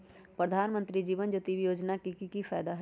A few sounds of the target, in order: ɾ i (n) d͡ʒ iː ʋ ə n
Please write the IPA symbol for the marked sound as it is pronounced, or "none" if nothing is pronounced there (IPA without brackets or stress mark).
none